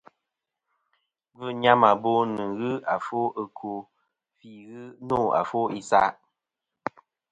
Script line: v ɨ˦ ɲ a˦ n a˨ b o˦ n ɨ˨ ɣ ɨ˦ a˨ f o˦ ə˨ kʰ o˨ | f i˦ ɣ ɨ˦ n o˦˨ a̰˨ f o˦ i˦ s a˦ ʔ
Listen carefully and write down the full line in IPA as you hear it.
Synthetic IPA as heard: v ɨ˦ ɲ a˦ m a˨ b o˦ n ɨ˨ ɣ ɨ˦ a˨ f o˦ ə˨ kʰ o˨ | f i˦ ɣ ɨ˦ n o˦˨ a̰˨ f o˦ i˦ s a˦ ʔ